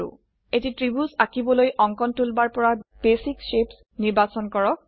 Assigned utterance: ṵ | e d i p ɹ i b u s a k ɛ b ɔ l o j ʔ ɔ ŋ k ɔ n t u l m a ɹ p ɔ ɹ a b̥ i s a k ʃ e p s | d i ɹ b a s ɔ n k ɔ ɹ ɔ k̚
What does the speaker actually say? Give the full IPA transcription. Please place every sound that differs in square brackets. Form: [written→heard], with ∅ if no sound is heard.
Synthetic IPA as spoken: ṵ | e [d→t] i [p→t] ɹ i b u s a k [ɛ→i] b ɔ l o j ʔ ɔ ŋ k ɔ n t u l [m→b] a ɹ p ɔ ɹ a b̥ [i→e] s [a→i] k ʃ e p s | [d→n] i ɹ b a s ɔ n k ɔ ɹ ɔ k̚